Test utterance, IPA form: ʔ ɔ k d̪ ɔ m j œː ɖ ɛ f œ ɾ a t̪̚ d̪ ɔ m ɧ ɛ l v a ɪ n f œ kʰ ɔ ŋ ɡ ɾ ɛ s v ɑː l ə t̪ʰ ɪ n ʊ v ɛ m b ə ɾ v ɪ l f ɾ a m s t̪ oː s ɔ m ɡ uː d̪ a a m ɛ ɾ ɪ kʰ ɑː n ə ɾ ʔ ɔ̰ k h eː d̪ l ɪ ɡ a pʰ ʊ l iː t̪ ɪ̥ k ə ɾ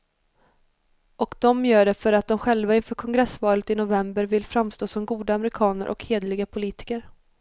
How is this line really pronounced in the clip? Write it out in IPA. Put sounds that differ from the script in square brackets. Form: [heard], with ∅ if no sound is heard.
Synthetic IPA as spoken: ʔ ɔ k d̪ ɔ m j œː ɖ ɛ f œ ɾ a t̪̚ d̪ ɔ m ɧ ɛ l v a ɪ n f [œː] kʰ ɔ ŋ ɡ ɾ ɛ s v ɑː l ə [t̪] ɪ n ʊ v ɛ m b ə ɾ v ɪ l f ɾ a m s t̪ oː s ɔ m ɡ uː d̪ a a m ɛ ɾ ɪ kʰ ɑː n ə ɾ ʔ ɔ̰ k h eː d̪ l ɪ ɡ a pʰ ʊ l iː t̪ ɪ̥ k ə ɾ